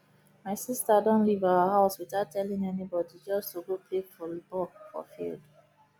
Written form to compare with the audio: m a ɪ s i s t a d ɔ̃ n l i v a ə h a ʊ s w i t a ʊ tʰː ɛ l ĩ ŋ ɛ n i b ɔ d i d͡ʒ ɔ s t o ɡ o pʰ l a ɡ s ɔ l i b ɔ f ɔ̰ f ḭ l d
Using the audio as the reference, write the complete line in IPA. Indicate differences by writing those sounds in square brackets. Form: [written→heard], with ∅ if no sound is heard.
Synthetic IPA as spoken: m a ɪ s i s t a d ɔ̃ n l i v a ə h a ʊ s w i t a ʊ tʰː ɛ l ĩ ŋ ɛ n i b ɔ d i d͡ʒ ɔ s t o ɡ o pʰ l [a→e] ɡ [s→f] ɔ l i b ɔ f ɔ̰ f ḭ l d